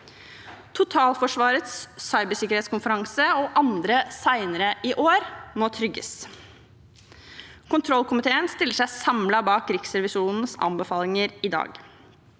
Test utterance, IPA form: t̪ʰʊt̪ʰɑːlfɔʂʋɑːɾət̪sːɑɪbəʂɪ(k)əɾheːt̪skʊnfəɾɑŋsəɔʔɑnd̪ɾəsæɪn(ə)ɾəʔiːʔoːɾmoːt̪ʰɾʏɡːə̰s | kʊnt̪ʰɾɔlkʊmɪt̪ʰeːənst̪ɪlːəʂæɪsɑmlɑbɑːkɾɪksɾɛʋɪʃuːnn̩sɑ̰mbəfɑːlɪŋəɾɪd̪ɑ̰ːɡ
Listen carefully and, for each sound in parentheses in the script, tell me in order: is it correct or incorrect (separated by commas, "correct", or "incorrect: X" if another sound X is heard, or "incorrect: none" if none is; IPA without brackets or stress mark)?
correct, correct